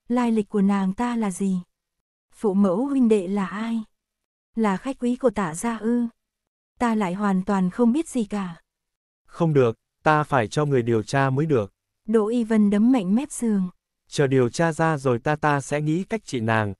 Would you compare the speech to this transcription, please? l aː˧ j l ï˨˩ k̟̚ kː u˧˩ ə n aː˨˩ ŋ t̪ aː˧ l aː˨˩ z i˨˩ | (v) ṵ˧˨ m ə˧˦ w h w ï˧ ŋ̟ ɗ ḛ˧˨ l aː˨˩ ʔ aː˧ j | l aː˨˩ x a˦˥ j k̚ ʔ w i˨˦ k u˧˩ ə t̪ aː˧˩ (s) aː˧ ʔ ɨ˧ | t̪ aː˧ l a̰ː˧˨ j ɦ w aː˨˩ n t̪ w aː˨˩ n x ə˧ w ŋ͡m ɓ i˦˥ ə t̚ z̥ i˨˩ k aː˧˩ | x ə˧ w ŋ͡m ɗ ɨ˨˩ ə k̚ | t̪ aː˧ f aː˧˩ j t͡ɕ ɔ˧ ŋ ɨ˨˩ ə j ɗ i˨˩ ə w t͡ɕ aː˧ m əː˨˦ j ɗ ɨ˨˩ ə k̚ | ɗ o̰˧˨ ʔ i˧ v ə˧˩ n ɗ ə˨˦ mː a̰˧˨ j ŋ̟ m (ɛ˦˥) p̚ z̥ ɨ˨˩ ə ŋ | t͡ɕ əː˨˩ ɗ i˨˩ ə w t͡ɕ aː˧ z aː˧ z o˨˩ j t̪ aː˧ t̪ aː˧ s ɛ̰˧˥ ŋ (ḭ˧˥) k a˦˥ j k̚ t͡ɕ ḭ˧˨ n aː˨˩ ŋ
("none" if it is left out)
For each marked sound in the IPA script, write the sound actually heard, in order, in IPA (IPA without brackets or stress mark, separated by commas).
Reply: f, z, ɛ˦˥, ḭ˧˥